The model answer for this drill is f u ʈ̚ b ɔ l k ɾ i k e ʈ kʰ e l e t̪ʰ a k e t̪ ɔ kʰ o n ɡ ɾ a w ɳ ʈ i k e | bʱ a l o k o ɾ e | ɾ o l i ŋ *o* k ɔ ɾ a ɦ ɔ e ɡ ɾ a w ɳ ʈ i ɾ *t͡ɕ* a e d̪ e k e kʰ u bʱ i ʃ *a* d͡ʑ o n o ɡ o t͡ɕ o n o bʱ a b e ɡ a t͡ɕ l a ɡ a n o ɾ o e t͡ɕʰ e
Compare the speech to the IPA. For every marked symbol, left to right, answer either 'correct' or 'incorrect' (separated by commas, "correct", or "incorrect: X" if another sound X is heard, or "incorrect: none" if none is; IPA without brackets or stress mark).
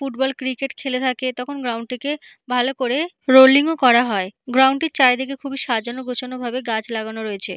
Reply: correct, correct, correct